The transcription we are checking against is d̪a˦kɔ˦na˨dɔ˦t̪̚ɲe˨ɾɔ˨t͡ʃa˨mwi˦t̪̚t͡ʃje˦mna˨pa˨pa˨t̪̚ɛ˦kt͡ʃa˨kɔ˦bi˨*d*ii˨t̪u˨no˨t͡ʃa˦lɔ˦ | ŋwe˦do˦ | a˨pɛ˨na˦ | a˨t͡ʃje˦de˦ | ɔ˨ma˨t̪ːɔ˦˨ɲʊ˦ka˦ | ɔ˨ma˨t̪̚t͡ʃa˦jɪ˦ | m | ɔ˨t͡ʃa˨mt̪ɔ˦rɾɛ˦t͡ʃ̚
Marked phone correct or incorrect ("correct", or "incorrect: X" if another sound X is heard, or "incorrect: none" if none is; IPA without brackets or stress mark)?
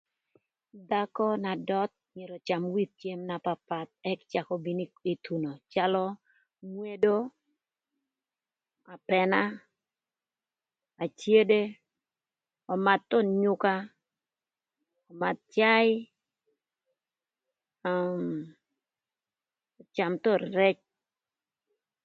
incorrect: n